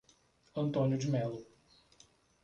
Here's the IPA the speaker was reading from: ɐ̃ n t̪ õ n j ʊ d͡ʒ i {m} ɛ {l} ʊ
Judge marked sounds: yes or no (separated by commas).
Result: yes, yes